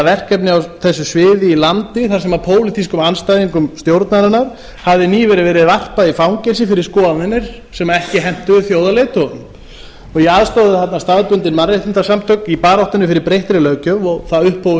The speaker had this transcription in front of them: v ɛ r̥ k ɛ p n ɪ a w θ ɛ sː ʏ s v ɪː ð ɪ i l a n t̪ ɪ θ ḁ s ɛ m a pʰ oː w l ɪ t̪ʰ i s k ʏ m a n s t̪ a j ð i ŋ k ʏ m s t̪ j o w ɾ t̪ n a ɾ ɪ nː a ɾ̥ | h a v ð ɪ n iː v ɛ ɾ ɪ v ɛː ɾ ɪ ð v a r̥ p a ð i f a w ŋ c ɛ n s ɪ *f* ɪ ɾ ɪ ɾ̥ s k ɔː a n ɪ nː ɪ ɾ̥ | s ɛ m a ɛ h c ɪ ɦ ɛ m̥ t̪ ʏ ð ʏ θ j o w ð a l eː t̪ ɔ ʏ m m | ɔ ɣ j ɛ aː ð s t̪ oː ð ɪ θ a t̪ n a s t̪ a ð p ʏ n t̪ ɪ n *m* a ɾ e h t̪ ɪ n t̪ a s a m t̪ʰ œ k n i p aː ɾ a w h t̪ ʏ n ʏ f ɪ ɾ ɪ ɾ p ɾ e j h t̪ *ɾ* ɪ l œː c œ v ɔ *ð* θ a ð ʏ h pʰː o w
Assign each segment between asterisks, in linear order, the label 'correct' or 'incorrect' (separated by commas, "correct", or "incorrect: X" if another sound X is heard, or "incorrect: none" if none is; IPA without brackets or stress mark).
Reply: correct, correct, correct, incorrect: ɣ